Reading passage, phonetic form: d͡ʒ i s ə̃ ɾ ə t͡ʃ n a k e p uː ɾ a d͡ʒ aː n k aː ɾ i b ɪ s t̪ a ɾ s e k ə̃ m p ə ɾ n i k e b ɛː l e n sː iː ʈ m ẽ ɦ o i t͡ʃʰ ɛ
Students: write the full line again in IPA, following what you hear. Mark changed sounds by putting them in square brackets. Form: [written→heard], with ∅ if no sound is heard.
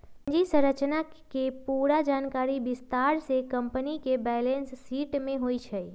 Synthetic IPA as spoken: d͡ʒ i s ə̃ ɾ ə t͡ʃ n a k e p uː ɾ a d͡ʒ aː n k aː ɾ i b ɪ s t̪ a ɾ s e k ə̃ m p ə [ɾ→∅] n i k e b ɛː l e n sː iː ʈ m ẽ ɦ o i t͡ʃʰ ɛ